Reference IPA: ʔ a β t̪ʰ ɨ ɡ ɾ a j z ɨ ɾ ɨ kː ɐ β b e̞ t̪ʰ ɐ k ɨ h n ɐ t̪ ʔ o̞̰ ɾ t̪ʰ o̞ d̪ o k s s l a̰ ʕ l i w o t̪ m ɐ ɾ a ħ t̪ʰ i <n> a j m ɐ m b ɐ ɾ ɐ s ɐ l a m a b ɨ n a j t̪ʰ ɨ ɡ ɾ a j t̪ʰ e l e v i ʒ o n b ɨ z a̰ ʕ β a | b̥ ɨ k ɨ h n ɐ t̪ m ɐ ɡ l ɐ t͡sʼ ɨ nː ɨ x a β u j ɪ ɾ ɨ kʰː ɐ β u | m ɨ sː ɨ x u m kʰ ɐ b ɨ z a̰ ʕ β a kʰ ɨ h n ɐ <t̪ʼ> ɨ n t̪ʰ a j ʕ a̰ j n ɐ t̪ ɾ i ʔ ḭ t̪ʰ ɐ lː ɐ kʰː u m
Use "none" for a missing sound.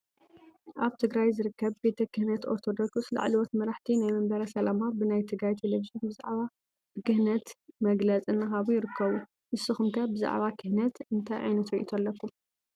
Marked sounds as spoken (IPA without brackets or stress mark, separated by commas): n, t̪